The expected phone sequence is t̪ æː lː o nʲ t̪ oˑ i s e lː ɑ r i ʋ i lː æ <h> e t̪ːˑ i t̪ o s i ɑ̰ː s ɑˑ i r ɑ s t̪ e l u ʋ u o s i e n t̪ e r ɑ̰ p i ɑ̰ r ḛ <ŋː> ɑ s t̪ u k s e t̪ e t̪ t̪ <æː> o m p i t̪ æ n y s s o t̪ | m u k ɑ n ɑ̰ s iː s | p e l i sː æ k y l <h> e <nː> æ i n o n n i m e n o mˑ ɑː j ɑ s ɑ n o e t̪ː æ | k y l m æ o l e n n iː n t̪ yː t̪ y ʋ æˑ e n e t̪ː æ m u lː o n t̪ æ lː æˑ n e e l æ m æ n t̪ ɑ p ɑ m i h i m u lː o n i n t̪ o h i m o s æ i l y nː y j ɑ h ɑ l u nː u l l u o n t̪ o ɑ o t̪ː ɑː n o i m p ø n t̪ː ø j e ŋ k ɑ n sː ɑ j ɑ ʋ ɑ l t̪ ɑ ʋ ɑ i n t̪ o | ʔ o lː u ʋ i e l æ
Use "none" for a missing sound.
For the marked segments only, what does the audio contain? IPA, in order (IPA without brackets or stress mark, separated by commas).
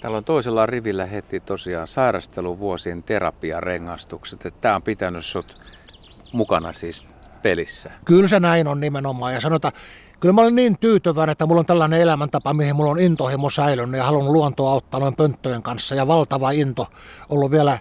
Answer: h, ŋː, æː, s, n